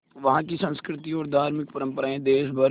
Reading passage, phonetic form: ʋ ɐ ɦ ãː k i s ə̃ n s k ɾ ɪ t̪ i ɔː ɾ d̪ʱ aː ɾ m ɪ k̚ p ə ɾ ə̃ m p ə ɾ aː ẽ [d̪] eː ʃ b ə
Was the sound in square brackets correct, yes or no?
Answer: yes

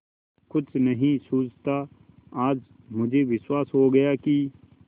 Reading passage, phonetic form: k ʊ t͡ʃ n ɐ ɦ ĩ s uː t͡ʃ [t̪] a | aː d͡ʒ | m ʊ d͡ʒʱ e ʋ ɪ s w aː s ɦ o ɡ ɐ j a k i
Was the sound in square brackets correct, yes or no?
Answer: yes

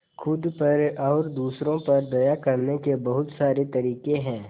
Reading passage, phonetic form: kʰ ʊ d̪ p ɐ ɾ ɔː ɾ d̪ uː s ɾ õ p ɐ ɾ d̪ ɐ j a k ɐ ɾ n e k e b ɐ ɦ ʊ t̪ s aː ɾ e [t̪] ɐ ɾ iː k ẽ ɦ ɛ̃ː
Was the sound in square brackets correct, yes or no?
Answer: yes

